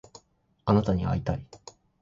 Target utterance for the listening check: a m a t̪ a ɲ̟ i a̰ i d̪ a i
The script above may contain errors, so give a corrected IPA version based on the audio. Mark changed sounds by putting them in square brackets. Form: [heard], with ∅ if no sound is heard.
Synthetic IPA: a [n] a t̪ a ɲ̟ i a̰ i [t̪] a i